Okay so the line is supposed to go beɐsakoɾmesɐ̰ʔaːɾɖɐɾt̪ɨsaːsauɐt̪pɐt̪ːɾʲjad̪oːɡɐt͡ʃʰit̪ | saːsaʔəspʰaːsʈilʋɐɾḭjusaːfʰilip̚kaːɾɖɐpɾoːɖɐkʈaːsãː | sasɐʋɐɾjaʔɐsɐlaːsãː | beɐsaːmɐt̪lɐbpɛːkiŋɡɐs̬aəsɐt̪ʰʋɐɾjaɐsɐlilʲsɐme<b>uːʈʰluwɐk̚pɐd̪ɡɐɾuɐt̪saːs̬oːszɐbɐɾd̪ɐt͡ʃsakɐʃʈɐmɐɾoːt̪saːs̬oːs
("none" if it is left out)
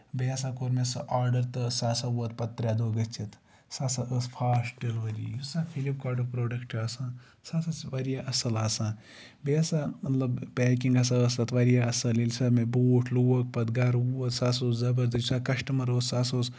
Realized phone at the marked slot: b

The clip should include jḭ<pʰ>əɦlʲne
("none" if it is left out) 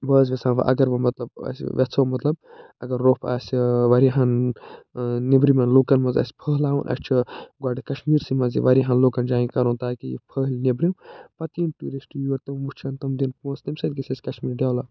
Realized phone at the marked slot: pʰ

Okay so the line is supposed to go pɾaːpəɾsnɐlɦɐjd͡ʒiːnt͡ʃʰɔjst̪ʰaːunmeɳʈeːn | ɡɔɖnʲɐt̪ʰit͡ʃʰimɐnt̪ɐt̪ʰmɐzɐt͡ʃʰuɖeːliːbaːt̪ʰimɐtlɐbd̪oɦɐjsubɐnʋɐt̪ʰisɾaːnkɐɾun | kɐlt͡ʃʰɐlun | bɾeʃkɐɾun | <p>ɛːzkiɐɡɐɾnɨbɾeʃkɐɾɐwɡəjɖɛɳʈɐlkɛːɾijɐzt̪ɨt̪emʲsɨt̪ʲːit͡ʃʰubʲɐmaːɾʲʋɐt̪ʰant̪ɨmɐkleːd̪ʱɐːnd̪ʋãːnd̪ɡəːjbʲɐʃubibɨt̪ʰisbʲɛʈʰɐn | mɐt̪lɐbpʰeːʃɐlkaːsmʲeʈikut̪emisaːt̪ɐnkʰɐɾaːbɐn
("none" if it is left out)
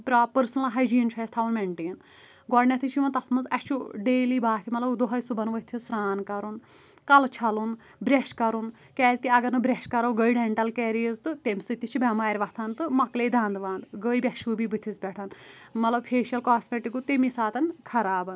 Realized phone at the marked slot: k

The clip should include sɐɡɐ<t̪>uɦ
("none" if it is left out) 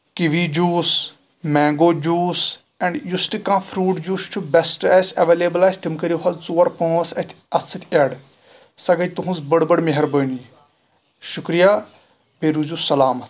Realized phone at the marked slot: t̪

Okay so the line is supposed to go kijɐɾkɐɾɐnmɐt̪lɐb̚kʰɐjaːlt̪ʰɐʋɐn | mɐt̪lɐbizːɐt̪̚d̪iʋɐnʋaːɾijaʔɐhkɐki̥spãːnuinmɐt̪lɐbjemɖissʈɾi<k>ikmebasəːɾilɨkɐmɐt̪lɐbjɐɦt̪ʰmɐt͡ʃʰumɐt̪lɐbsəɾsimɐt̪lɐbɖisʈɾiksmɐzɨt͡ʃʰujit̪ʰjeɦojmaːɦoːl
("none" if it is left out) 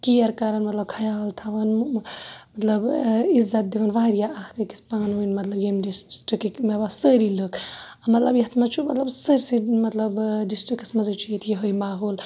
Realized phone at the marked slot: k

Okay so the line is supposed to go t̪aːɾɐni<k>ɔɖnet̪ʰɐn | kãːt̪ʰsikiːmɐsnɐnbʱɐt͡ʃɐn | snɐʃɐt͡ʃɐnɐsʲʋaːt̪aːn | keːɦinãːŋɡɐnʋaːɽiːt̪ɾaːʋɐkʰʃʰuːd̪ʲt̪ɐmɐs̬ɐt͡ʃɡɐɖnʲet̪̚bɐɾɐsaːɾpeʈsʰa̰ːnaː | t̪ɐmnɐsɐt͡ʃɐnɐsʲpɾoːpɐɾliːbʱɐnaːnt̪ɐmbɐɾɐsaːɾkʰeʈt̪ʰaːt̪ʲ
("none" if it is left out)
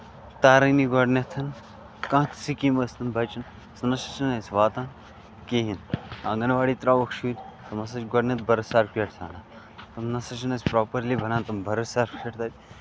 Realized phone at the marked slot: ɡ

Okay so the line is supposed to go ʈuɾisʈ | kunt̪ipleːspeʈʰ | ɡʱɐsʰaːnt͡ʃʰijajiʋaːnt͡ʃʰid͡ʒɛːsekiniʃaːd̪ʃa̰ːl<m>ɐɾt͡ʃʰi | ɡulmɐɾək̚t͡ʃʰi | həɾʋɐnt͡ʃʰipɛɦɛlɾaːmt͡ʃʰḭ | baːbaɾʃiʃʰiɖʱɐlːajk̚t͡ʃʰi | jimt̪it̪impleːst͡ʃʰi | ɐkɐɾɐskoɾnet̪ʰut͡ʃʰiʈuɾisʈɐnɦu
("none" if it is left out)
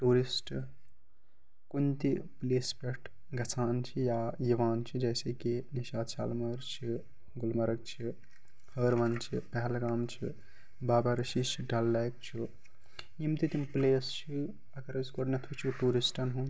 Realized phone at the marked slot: m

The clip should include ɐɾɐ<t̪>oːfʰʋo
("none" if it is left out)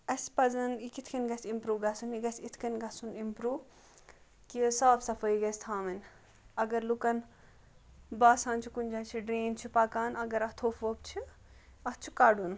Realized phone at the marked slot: t̪ʰ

